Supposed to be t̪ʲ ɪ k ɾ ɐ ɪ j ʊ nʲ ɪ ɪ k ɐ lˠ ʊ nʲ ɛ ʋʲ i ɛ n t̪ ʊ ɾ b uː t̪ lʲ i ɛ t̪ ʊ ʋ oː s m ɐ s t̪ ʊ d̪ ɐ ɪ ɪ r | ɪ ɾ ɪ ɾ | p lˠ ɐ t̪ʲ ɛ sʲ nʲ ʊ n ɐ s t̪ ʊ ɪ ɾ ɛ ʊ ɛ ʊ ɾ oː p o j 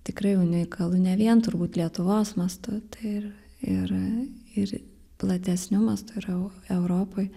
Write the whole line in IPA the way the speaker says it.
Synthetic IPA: t̪ʲ ɪ k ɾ ɐ ɪ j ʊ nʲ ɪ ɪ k ɐ lˠ ʊ nʲ ɛ ʋʲ i ɛ n t̪ ʊ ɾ b uː t̪ lʲ i ɛ t̪ ʊ ʋ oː s m ɐ s t̪ ʊ t̪ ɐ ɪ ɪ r | ɪ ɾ ɪ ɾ | p lˠ ɐ t̪ʲ ɛ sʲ nʲ ʊ m ɐ s t̪ ʊ ɪ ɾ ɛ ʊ ɛ ʊ ɾ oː p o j